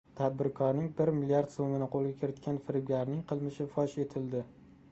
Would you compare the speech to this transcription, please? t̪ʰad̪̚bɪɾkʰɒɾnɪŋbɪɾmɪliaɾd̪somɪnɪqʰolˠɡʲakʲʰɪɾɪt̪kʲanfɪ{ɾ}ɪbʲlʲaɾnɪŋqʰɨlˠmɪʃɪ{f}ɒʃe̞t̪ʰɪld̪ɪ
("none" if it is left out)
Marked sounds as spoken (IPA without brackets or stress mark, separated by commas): ɾ, f